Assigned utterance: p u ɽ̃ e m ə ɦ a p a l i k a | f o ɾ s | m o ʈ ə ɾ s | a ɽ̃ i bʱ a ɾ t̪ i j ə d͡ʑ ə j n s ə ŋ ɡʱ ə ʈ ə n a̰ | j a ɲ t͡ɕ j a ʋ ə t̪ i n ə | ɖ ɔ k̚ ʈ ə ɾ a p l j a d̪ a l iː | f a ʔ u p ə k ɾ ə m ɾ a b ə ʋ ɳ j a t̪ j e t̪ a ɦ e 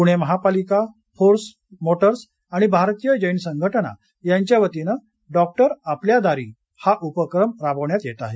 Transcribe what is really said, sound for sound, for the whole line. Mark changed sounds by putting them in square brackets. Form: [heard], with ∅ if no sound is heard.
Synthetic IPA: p u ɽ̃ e m ə ɦ a p a l i k a | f o ɾ s | m o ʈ ə ɾ s | a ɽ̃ i bʱ a ɾ t̪ i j ə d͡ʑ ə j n s ə ŋ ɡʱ ə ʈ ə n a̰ | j a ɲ t͡ɕ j a ʋ ə t̪ i n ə | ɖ ɔ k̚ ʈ ə ɾ a p l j a d̪ a [ɾ] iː | [h] a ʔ u p ə k ɾ ə m ɾ a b ə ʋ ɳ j a t̪ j e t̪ a ɦ e